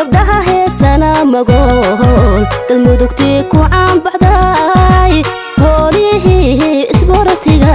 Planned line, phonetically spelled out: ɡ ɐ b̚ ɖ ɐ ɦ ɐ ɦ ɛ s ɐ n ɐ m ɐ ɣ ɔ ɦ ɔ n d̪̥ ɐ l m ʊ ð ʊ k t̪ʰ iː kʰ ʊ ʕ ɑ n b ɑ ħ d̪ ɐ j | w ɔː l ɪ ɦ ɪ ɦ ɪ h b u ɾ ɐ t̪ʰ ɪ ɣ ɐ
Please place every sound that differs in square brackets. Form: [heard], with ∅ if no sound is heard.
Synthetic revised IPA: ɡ ɐ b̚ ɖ ɐ ɦ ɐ ɦ ɛ s ɐ n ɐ m ɐ ɣ ɔ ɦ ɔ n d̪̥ ɐ l m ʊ ð ʊ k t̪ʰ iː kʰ ʊ ʕ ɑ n b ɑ ħ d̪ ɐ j | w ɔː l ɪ ɦ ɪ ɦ ɪ [s] b [ɔ] ɾ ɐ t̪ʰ ɪ ɣ ɐ